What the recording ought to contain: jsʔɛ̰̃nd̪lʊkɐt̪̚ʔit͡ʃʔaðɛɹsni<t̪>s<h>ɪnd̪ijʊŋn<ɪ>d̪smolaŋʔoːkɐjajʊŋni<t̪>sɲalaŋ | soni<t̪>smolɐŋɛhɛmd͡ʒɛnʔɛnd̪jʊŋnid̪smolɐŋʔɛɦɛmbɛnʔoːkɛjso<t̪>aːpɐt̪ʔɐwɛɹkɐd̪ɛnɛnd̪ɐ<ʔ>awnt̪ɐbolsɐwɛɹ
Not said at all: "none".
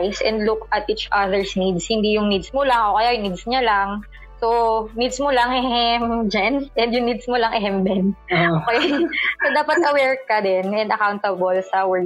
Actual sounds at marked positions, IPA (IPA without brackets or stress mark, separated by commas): d̪, h, i, d̪, d̪, d̪, k